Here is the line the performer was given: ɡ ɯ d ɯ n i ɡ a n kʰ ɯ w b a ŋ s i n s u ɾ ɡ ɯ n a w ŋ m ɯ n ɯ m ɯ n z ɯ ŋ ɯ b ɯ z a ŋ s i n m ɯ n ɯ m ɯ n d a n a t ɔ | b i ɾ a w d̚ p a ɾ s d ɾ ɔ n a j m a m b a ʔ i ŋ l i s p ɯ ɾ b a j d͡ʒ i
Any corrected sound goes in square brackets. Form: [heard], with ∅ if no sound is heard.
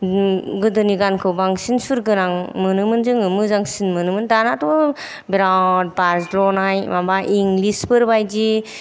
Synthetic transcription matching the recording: ɡ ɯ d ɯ n i ɡ a n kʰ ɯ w b a ŋ s i n s u ɾ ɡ ɯ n a [∅] ŋ m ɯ n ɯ m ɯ n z ɯ ŋ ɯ [m] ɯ z a ŋ s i n m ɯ n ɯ m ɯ n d a n a t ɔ | b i ɾ a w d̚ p a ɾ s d ɾ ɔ n a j m a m b a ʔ i ŋ l i s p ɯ ɾ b a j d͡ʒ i

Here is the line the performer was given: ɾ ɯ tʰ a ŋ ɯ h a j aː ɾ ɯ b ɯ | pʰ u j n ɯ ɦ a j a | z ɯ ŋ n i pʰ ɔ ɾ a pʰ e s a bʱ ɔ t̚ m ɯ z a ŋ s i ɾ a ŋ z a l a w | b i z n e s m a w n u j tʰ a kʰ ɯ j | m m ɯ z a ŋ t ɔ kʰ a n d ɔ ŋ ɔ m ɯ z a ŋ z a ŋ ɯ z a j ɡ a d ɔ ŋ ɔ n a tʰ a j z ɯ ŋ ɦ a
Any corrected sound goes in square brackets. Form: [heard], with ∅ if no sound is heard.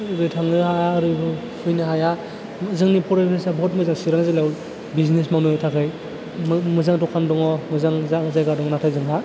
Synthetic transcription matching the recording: ɾ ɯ tʰ a ŋ ɯ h a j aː ɾ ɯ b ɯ | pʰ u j n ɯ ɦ a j a | z ɯ ŋ n i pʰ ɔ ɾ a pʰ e s a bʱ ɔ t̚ m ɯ z a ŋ s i ɾ a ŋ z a l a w | b i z n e s m a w n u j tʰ a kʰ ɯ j | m m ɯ z a ŋ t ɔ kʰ a n d ɔ ŋ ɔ m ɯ z a ŋ z a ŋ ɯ z a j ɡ a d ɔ ŋ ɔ n a tʰ a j z ɯ ŋ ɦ a

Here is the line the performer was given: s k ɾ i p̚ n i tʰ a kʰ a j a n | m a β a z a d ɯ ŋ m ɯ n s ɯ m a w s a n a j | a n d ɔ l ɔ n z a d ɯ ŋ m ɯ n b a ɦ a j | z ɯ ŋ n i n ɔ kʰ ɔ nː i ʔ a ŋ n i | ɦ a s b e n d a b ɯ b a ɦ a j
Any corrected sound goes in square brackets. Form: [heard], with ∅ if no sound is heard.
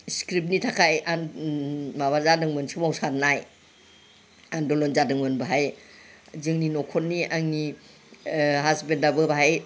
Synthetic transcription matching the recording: s k ɾ i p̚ n i tʰ a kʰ a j a n | m a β a z a d ɯ ŋ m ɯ n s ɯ m a w s a n a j | a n d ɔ l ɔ n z a d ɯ ŋ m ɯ n b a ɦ a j | z ɯ ŋ n i n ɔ kʰ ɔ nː i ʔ a ŋ n i | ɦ a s b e n d a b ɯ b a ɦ a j

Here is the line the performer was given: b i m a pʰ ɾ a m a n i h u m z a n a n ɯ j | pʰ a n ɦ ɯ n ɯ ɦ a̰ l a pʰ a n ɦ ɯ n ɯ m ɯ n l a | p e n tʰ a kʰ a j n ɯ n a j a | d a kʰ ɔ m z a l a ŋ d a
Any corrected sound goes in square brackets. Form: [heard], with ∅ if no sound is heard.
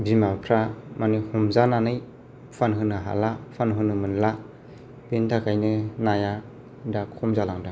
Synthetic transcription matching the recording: b i m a pʰ ɾ a m a n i h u m z a n a n ɯ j | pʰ a n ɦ ɯ n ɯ ɦ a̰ l a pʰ a n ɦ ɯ n ɯ m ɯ n l a | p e n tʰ a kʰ a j n ɯ n a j a | d a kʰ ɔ m z a l a ŋ d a

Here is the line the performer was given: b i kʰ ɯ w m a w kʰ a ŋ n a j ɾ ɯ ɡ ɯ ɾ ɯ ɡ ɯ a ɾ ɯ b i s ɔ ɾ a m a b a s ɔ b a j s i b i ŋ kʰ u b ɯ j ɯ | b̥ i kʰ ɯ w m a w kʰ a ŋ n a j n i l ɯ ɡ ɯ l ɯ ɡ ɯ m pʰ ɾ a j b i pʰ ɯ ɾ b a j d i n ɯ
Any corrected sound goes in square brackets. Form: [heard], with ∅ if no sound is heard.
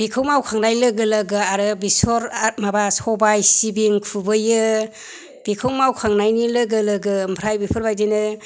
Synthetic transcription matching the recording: b i kʰ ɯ w m a w kʰ a ŋ n a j [l] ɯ ɡ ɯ [l] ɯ ɡ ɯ a ɾ ɯ b i s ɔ ɾ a m a b a s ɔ b a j s i b i ŋ kʰ u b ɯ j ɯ | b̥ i kʰ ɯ w m a w kʰ a ŋ n a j n i l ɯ ɡ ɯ l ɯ ɡ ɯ m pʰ ɾ a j b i pʰ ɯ ɾ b a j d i n ɯ

